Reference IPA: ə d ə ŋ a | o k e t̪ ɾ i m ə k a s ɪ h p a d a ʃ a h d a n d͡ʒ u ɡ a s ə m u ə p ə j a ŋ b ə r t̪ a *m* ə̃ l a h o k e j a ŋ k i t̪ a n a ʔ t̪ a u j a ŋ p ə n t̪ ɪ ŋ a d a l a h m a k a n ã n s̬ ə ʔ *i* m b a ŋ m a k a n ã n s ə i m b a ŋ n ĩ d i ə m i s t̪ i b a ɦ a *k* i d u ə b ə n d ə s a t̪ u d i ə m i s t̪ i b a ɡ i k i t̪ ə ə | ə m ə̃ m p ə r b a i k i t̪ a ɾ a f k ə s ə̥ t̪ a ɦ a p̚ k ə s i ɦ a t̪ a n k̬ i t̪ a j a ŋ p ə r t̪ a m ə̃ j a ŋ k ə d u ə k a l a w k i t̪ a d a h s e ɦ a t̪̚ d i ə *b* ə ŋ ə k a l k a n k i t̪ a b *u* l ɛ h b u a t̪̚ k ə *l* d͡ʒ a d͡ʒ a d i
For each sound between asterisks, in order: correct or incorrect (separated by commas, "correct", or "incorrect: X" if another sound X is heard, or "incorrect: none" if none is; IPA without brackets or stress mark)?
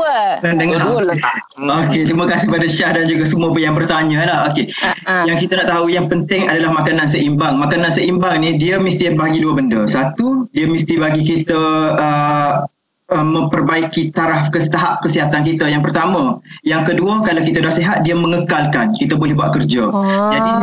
incorrect: ɲ, correct, incorrect: ɡ, incorrect: m, incorrect: o, incorrect: r